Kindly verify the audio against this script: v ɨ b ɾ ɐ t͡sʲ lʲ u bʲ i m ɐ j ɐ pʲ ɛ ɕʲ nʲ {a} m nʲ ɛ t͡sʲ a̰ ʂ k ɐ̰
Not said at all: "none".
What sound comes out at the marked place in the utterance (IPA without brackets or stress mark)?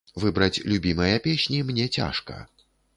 i